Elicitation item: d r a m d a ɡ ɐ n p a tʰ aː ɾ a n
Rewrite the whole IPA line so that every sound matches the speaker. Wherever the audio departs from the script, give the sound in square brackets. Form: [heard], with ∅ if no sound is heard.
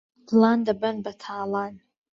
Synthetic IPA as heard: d [l] a [n] d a [b] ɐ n [b] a tʰ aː [l] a n